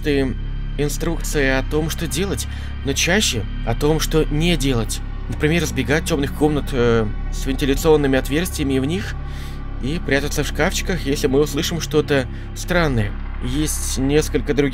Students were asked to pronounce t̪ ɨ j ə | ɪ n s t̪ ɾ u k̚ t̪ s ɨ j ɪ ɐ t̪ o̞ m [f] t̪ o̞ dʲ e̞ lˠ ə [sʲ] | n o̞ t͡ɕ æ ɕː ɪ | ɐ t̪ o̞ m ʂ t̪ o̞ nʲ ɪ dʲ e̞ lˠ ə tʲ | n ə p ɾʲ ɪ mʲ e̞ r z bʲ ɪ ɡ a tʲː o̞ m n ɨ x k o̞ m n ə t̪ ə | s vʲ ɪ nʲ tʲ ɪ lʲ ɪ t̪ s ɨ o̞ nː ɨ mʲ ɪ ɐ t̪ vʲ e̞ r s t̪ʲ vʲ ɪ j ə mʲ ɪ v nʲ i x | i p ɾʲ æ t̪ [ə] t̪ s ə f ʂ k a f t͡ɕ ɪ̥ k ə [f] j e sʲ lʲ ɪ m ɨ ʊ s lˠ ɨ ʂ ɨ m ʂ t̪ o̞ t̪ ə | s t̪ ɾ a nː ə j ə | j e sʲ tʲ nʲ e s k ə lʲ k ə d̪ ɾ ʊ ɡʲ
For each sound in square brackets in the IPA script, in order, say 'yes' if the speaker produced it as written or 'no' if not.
no, no, yes, no

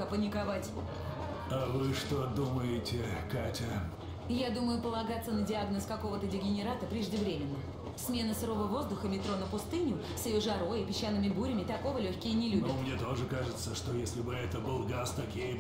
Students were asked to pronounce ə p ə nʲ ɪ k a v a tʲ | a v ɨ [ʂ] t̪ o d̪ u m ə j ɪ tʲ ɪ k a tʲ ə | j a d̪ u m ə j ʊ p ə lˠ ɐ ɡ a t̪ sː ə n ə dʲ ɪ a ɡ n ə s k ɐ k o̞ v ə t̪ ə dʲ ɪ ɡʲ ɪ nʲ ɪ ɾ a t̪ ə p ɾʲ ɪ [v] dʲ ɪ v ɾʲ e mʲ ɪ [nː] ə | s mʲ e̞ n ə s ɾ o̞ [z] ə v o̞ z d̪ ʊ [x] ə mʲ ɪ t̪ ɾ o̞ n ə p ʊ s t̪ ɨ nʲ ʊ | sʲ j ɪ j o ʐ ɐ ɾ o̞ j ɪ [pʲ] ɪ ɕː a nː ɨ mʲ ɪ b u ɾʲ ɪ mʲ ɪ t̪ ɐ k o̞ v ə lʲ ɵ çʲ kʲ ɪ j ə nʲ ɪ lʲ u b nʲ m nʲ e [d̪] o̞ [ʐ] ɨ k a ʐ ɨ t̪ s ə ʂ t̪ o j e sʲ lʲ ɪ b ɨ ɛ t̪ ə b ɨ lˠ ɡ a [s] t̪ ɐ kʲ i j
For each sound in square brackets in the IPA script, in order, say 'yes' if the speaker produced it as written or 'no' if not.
yes, no, yes, no, yes, yes, no, yes, yes

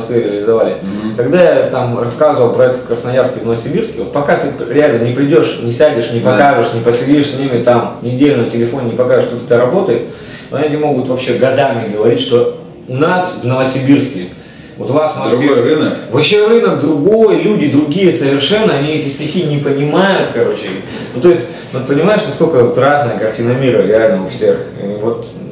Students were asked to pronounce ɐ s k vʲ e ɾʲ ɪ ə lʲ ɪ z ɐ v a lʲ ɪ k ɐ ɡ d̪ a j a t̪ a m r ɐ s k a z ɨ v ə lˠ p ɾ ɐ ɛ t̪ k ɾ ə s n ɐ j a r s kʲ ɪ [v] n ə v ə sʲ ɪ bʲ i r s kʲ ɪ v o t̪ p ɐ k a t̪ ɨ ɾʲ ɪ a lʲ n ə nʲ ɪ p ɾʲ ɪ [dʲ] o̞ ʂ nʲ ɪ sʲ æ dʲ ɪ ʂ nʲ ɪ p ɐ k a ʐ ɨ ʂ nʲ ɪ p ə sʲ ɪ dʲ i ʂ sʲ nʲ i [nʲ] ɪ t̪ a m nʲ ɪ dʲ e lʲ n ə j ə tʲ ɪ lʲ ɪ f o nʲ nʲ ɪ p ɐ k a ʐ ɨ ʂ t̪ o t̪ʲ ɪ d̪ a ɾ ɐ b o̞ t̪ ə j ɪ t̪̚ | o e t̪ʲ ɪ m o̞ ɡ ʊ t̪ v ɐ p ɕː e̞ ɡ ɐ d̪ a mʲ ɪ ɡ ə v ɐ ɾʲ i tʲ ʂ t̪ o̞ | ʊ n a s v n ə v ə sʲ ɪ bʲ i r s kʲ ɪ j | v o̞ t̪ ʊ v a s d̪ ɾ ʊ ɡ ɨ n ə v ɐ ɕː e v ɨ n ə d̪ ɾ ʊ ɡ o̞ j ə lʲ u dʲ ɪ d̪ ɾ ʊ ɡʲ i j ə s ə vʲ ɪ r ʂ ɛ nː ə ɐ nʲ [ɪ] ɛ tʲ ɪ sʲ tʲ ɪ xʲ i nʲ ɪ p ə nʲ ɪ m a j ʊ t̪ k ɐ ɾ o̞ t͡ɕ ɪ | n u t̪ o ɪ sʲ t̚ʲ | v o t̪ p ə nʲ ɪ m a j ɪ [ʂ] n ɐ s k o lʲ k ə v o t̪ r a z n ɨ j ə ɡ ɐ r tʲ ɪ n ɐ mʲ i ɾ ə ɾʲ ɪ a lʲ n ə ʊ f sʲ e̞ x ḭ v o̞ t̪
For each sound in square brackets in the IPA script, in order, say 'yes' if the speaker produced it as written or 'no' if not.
yes, yes, no, no, yes

